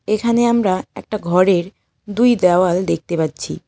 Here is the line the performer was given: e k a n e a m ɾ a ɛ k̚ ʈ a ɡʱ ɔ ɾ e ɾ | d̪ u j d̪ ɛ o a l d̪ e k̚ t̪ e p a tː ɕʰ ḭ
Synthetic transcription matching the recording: e kʰ a n e a m ɾ a ɛ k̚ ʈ a ɡʱ ɔ ɾ e ɾ | d̪ u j d̪ ɛ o a l d̪ e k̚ t̪ e p a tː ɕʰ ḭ